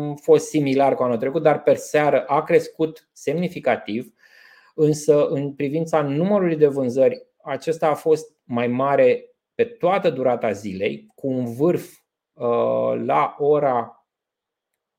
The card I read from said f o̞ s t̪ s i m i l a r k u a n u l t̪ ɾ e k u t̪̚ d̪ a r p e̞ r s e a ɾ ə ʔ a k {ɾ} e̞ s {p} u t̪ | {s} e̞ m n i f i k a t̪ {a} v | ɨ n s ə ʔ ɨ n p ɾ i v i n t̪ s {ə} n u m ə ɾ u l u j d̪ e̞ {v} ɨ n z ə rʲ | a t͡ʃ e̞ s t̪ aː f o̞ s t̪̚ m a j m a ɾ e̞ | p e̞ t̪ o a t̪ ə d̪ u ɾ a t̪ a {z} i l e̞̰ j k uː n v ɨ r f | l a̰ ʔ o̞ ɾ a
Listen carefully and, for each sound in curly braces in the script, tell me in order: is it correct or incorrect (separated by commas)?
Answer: correct, incorrect, correct, incorrect, incorrect, correct, correct